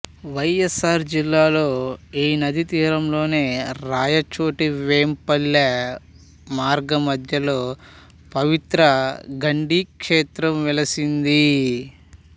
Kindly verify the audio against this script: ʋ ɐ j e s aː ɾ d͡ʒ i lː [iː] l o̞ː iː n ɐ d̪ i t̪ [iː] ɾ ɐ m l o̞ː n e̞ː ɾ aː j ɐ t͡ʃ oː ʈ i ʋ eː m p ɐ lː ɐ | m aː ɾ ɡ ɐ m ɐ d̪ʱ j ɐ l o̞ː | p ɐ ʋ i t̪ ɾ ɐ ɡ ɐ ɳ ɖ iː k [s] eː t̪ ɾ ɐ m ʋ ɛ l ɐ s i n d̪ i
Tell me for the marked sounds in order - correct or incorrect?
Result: incorrect: aː, correct, incorrect: ʂ

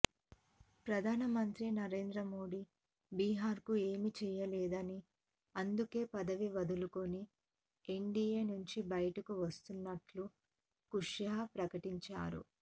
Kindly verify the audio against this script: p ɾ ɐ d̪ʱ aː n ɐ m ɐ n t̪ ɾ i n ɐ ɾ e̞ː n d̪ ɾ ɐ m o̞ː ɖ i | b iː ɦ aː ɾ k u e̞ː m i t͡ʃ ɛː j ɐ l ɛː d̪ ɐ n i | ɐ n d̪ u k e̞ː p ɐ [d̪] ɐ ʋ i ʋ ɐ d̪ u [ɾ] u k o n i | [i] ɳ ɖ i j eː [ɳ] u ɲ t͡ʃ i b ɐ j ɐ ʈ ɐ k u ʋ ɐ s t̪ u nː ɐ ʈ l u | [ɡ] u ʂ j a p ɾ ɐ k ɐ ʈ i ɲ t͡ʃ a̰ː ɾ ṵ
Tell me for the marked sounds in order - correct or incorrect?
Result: correct, incorrect: l, incorrect: e, incorrect: n, incorrect: k

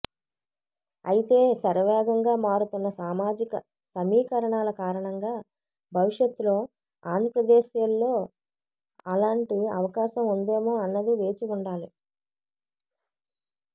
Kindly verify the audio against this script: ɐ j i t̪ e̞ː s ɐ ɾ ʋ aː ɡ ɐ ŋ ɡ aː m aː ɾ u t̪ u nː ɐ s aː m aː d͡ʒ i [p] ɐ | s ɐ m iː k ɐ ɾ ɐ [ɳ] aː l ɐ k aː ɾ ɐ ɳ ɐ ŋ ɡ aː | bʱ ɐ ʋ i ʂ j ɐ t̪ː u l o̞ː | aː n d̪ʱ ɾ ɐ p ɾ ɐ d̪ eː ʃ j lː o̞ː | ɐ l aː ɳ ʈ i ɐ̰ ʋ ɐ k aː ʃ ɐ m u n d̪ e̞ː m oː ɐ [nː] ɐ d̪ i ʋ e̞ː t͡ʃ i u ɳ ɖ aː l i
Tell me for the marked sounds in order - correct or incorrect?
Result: incorrect: k, correct, correct

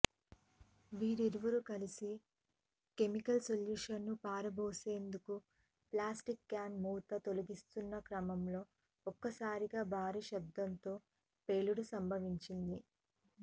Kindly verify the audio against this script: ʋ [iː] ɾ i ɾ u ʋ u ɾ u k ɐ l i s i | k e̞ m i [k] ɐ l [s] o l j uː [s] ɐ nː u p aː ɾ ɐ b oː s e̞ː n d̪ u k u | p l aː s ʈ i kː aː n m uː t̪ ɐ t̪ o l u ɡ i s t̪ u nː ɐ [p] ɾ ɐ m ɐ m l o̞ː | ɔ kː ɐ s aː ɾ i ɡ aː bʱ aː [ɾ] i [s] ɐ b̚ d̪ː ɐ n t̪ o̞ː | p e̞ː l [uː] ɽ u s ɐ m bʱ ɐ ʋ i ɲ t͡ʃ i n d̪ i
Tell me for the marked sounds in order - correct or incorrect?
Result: correct, correct, correct, incorrect: ʂ, incorrect: k, correct, incorrect: ʃ, incorrect: u

